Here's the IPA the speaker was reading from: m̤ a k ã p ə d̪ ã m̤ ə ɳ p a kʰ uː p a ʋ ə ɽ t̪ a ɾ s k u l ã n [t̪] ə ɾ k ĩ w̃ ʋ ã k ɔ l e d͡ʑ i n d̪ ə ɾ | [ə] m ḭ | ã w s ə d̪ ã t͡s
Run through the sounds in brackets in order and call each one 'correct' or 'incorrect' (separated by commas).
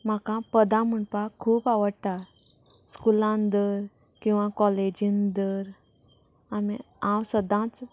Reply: incorrect, incorrect